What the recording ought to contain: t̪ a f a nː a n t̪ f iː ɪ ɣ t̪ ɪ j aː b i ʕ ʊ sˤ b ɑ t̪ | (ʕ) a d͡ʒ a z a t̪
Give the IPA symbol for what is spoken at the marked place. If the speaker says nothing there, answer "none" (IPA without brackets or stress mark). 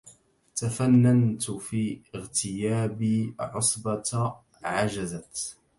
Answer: ʕ